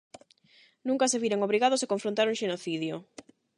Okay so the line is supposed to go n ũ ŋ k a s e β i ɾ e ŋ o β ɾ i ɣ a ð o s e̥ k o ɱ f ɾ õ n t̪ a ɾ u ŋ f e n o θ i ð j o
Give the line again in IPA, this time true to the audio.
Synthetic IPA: n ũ ŋ k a s e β i ɾ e ŋ o β ɾ i ɣ a ð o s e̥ k o ɱ f ɾ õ n t̪ a ɾ u ŋ ʃ e n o θ i ð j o